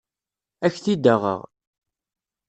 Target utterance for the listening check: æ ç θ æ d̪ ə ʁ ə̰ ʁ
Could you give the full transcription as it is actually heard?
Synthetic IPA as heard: æ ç θ i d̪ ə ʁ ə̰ ʁ